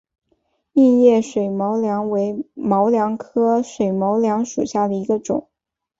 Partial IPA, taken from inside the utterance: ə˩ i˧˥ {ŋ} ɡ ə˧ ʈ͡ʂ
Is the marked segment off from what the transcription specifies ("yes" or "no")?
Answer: yes